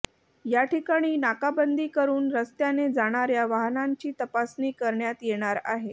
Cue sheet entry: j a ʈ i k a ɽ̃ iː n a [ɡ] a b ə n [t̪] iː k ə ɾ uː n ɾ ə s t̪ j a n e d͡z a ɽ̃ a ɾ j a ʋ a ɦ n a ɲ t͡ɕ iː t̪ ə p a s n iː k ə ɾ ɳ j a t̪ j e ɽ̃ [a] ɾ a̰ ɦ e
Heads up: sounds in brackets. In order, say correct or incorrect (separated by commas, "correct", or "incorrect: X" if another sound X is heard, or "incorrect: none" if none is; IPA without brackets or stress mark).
incorrect: k, incorrect: d̪, correct